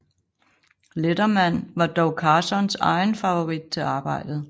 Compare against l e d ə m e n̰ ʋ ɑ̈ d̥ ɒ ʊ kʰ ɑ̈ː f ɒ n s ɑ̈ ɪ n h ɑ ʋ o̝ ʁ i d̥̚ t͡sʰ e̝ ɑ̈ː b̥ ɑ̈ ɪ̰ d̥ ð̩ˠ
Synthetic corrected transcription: l e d ɐ m æ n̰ ʋ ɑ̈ d̥ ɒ ʊ kʰ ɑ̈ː s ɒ n s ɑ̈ ɪ n f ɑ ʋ o̝ ʁ i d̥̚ t͡sʰ e̝ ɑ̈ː b̥ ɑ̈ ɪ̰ d̥ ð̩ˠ